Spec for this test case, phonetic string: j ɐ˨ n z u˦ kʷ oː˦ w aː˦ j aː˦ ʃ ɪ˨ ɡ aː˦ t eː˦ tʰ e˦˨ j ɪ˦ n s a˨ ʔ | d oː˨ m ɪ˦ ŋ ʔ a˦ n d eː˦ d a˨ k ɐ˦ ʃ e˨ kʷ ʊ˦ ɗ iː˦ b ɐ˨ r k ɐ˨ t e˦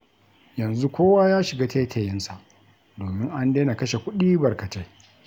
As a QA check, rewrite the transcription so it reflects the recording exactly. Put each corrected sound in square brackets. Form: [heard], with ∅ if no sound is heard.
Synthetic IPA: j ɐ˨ n z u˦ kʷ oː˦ w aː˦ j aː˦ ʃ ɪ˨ ɡ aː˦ t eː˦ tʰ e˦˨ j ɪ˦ n s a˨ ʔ | d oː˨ m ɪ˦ ŋ ʔ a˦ n d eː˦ [n] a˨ k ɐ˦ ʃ e˨ kʷ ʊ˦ ɗ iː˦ b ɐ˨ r k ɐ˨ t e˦